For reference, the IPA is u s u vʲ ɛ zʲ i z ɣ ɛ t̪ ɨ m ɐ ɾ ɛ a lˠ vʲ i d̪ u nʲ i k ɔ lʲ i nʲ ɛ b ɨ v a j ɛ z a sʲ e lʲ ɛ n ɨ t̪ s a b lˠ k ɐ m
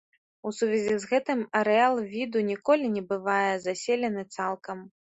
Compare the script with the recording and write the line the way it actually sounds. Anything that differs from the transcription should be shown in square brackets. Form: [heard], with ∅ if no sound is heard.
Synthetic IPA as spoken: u s u vʲ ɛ zʲ i z ɣ ɛ t̪ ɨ m ɐ ɾ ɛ a lˠ vʲ i d̪ u nʲ i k ɔ lʲ i nʲ ɛ b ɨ v a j ɛ z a sʲ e lʲ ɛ n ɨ t̪ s a [∅] lˠ k ɐ m